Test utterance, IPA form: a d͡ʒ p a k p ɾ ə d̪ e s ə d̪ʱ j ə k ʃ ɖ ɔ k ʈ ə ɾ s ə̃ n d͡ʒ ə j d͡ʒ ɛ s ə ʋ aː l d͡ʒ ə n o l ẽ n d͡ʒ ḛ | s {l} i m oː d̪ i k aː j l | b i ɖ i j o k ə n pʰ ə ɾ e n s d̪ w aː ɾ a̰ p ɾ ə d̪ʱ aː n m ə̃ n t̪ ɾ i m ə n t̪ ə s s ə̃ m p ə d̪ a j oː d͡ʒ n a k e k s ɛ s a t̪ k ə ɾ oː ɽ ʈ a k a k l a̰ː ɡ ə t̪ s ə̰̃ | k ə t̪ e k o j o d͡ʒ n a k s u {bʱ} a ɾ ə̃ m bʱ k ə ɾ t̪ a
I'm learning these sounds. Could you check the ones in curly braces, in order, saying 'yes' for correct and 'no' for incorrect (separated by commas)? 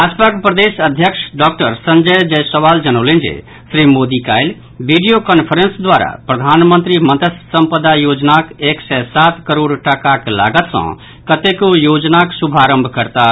no, yes